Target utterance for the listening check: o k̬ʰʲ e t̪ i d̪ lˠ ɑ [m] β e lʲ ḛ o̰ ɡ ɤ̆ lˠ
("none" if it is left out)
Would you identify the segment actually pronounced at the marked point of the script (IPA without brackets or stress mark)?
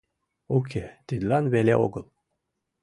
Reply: n